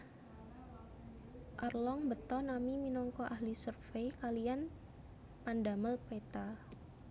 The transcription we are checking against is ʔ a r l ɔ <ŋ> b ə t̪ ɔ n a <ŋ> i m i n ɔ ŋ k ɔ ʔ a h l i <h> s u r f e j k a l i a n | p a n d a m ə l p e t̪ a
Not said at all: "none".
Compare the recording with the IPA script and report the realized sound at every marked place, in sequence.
ŋ, m, none

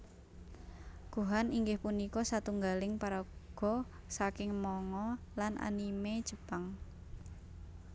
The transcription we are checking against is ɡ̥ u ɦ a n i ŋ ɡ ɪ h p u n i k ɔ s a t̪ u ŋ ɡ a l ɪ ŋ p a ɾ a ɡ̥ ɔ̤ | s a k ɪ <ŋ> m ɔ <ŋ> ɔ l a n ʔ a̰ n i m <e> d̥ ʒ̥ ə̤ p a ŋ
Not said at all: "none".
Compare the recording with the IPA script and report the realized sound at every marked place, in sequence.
ŋ, ŋ, e

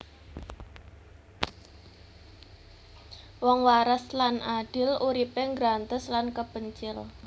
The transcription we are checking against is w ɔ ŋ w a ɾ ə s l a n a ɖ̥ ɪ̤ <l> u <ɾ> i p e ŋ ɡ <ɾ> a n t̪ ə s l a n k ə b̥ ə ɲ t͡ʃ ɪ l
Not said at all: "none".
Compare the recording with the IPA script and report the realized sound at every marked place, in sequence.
l, ɾ, ɾ

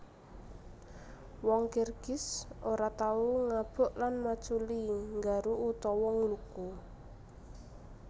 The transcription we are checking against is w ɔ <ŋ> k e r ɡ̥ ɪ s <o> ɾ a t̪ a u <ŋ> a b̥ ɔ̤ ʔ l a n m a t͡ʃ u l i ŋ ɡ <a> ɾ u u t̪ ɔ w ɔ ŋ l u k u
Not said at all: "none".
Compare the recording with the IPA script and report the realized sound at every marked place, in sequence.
ŋ, o, ŋ, a

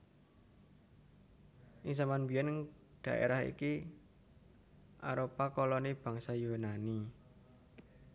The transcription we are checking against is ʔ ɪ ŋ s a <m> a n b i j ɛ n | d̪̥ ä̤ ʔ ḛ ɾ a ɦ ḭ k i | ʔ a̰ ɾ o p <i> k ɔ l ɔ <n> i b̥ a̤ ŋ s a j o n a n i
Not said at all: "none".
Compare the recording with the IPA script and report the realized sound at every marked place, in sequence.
m, a, n

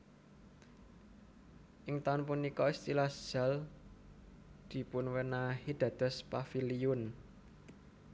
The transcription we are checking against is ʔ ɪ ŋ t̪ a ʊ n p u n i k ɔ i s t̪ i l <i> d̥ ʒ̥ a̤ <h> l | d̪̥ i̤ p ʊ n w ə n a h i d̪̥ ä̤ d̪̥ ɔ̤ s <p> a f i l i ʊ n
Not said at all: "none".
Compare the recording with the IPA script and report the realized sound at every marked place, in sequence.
a, none, p

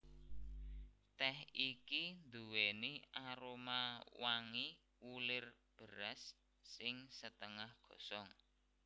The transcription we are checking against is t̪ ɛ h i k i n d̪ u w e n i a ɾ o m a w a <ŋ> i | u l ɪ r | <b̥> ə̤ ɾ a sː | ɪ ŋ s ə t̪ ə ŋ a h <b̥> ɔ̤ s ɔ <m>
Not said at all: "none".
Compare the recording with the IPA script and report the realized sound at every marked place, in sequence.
ŋ, b̥, ɡ̥, ŋ

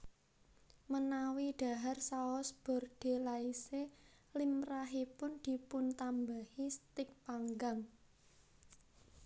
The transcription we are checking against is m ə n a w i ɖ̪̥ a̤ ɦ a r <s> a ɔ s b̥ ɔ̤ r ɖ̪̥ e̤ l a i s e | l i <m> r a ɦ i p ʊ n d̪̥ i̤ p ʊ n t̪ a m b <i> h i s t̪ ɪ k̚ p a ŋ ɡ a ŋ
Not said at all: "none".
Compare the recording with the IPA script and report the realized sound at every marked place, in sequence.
s, m, a

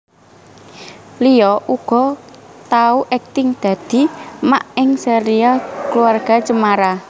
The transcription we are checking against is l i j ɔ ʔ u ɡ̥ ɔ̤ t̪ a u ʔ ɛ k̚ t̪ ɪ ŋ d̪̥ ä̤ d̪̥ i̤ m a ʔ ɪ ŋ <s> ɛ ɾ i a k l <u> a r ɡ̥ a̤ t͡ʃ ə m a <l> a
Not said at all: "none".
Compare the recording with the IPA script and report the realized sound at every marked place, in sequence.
s, u, ɾ

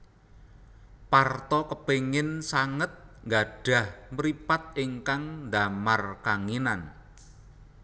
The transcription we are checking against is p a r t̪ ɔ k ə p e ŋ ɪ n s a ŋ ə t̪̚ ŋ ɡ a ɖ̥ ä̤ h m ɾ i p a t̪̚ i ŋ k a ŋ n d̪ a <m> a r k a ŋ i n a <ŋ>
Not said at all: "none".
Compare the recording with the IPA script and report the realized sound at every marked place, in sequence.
m, n

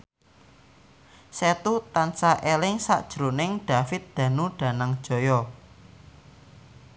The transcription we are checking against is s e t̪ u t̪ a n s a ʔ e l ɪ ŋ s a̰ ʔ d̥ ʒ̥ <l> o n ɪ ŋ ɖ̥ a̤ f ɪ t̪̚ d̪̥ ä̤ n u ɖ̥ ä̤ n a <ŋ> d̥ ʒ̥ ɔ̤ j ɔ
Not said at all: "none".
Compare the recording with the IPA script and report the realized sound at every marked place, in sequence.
ɾ, ŋ

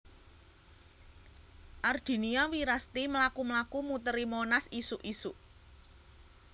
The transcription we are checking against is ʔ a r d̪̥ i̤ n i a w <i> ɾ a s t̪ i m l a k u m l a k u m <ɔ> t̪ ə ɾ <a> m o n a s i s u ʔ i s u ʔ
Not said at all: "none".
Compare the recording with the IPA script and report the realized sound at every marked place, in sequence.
i, u, i

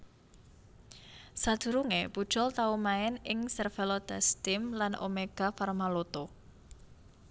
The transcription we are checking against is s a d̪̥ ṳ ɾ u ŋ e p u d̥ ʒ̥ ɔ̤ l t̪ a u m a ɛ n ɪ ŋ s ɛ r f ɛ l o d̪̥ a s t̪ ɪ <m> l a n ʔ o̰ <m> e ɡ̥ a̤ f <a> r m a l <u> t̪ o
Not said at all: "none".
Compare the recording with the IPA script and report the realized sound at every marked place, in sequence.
m, m, a, o

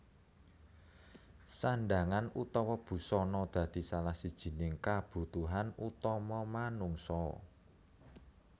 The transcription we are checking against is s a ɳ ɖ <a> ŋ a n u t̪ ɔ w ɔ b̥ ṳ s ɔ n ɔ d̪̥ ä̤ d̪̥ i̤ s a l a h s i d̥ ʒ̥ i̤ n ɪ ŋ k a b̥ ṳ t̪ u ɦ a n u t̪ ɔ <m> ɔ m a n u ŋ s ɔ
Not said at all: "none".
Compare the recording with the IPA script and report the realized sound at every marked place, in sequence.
a, m

